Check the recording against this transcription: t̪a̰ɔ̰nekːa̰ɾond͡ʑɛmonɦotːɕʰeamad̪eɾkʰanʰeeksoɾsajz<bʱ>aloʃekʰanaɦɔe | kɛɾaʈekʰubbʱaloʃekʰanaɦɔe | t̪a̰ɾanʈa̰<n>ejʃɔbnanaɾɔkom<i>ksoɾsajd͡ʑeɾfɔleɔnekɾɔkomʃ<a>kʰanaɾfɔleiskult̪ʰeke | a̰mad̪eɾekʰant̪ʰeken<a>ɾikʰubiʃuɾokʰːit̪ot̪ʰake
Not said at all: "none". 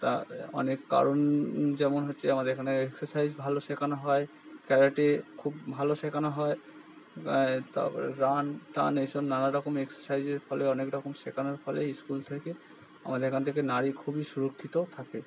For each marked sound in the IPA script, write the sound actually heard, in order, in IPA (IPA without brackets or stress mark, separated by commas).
bʱ, n, e, e, a